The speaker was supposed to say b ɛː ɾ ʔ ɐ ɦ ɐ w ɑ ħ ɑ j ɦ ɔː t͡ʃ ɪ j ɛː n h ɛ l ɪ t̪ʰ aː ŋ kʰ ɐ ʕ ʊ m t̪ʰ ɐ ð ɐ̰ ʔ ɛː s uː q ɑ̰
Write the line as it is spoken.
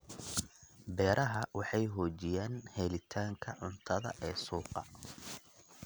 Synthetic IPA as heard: b ɛː ɾ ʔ ɐ ɦ ɐ w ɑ ħ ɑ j ɦ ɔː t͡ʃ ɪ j aː n h ɛ l ɪ t̪ʰ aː ŋ kʰ ɐ ʕ ʊ n t̪ʰ ɐ ð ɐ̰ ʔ ɛː s uː q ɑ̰